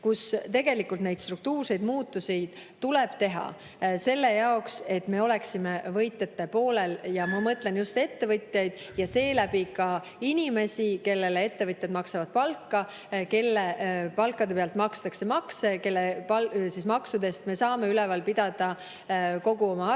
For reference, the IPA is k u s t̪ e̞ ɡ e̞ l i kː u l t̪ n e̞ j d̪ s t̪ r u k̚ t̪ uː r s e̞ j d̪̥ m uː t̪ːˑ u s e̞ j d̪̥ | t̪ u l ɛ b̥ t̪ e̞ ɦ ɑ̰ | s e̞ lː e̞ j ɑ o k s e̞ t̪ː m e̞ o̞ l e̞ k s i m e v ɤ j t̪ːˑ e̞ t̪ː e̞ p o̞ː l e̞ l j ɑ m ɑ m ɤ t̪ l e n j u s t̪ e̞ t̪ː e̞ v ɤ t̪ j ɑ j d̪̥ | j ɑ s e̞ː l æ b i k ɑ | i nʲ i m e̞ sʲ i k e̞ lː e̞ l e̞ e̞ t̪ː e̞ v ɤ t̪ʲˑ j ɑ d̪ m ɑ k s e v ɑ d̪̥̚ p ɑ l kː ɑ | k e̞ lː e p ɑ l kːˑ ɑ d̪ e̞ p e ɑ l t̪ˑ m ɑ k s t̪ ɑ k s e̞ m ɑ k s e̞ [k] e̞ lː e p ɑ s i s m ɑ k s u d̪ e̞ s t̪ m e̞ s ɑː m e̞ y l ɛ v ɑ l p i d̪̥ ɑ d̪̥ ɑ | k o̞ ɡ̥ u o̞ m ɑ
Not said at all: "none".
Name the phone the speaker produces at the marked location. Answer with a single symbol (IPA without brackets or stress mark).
k